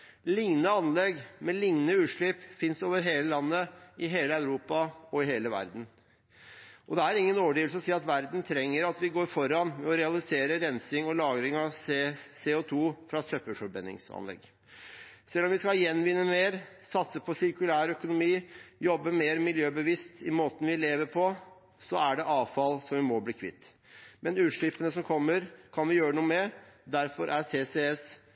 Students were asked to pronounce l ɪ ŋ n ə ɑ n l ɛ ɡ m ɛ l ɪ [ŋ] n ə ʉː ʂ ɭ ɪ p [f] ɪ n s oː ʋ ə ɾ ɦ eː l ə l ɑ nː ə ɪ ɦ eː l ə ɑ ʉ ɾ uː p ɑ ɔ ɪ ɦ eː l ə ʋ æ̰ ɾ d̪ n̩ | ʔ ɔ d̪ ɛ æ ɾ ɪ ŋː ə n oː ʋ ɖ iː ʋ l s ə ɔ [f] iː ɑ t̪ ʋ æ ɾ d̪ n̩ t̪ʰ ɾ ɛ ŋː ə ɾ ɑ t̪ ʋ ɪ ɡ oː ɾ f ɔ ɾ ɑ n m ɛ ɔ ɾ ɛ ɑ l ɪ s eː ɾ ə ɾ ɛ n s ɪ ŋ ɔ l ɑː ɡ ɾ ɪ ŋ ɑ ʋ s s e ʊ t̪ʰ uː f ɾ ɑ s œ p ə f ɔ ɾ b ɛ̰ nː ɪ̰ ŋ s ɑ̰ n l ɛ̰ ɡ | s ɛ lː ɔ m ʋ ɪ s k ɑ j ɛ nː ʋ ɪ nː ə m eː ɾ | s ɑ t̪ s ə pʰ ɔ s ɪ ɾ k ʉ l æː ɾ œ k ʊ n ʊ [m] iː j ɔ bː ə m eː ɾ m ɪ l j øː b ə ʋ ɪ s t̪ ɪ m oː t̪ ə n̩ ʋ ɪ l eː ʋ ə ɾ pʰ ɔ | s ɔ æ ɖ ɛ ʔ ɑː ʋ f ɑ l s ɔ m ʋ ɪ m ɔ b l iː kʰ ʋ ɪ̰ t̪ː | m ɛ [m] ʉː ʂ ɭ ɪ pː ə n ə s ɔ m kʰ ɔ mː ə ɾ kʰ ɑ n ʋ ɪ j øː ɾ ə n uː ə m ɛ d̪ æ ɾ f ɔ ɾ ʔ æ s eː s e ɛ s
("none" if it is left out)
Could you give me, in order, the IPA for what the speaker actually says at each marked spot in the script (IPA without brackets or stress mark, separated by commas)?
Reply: ŋ, f, s, m, n